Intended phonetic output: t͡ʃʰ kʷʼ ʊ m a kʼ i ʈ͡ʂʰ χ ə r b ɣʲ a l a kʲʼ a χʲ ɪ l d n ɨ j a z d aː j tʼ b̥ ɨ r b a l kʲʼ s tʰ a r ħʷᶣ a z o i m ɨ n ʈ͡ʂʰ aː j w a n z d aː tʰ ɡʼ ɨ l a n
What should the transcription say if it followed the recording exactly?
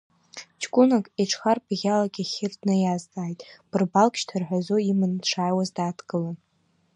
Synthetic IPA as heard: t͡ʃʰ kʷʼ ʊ n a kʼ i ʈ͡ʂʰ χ a r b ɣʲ a l a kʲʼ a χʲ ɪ r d n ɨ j a z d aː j tʼ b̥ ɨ r b a l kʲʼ ʃ tʰ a r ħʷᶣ a z o i m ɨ n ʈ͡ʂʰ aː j w a z d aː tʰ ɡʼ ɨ l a n